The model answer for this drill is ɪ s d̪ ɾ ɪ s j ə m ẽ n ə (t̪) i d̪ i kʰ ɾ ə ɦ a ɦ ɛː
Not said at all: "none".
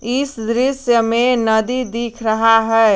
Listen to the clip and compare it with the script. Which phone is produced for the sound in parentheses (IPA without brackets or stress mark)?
d̪